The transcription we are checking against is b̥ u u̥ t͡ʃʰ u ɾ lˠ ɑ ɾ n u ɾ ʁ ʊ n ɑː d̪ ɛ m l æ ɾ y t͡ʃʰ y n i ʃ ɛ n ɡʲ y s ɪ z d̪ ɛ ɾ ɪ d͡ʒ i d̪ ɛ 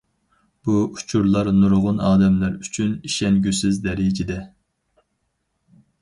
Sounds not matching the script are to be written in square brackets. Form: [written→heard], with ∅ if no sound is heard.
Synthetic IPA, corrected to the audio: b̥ u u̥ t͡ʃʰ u ɾ lˠ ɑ ɾ n u ɾ ʁ ʊ n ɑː d̪ ɛ m l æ ɾ y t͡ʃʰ y n i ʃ ɛ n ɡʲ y s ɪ z d̪ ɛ ɾ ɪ d͡ʒ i d̪ ɛ